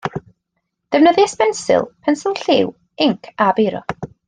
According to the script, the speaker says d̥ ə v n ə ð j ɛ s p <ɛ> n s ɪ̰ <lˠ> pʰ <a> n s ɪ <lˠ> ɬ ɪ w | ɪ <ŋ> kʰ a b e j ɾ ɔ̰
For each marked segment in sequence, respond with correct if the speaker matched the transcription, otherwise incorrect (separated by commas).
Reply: correct, correct, incorrect, correct, correct